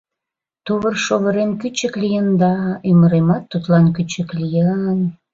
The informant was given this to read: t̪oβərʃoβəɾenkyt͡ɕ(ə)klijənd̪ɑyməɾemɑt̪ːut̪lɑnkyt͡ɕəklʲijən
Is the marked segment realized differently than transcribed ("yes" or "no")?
no